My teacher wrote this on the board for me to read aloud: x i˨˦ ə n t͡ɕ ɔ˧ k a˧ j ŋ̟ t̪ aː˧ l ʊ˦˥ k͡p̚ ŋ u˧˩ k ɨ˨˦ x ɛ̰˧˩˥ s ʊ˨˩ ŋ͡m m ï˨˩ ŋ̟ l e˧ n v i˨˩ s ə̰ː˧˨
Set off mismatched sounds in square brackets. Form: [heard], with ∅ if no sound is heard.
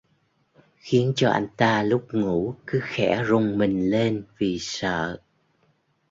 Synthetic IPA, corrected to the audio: x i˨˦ ə n t͡ɕ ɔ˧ [ʔ] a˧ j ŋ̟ t̪ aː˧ l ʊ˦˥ k͡p̚ ŋ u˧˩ k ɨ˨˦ x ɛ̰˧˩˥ [z] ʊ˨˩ ŋ͡m m ï˨˩ ŋ̟ l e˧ n v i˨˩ s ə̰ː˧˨